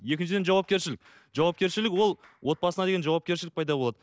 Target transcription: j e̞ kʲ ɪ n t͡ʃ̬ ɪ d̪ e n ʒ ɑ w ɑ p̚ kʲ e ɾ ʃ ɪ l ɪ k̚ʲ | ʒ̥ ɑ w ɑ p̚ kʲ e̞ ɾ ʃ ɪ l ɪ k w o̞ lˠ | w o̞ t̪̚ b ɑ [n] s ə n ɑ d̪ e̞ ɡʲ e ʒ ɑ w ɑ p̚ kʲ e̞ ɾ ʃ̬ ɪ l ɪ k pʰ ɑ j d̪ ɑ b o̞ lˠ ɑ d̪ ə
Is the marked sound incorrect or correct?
incorrect